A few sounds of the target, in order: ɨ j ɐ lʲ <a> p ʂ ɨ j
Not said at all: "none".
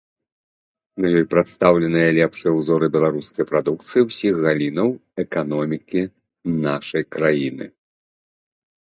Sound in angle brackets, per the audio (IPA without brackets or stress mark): ɛ